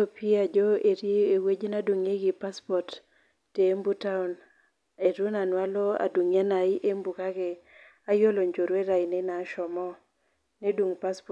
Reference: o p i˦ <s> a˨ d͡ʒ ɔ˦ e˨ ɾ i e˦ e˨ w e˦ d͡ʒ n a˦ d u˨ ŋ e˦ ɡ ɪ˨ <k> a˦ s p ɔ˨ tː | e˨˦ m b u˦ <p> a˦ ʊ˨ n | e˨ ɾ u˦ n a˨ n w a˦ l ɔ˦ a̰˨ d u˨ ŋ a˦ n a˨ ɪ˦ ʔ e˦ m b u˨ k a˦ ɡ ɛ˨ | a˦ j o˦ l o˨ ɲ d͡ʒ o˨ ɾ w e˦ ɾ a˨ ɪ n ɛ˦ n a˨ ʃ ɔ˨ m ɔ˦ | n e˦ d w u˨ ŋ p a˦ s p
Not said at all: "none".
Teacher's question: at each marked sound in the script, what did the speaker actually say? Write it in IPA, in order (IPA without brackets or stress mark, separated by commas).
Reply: none, p, t